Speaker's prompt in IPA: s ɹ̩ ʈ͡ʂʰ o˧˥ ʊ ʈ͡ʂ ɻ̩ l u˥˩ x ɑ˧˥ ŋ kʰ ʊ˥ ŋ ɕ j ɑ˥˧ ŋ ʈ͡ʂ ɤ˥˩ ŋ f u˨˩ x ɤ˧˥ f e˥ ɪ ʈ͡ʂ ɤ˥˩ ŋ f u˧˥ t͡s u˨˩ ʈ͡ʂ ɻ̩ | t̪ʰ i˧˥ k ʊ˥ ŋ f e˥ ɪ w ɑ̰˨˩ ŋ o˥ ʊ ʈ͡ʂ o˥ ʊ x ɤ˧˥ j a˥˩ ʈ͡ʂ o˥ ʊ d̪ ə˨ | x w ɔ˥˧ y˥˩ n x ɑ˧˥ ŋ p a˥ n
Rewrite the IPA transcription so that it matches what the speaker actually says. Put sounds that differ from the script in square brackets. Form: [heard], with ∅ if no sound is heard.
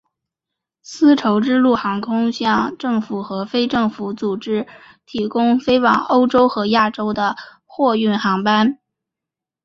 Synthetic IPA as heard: s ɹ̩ ʈ͡ʂʰ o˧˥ ʊ ʈ͡ʂ ɻ̩ l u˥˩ x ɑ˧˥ ŋ kʰ ʊ˥ ŋ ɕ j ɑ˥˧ ŋ ʈ͡ʂ ɤ˥˩ ŋ f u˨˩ x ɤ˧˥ f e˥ ɪ ʈ͡ʂ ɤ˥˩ ŋ f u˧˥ t͡s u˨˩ ʈ͡ʂ ɻ̩ | t̪ʰ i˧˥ k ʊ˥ ŋ f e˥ ɪ w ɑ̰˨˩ ŋ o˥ ʊ ʈ͡ʂ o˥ ʊ x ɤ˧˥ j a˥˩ ʈ͡ʂ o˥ ʊ d̪ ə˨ | x w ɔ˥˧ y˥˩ n x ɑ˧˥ ŋ p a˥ n